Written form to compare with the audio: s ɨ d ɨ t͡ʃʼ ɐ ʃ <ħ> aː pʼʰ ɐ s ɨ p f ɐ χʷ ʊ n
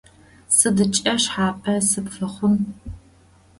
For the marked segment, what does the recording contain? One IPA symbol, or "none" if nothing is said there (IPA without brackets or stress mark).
ħ